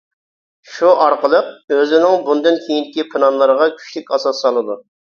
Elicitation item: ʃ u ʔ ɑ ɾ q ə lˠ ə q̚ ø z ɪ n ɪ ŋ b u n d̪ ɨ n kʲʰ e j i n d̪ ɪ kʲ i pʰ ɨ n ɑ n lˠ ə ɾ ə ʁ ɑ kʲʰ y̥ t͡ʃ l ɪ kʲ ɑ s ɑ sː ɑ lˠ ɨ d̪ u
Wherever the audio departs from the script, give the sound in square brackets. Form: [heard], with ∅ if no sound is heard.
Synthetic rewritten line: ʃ u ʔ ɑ ɾ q ə lˠ ə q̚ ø z ɪ n ɪ ŋ b u n d̪ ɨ n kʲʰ e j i n d̪ ɪ kʲ i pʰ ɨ n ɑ n lˠ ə ɾ ə ʁ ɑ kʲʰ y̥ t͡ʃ l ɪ kʲ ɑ s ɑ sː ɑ lˠ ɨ d̪ u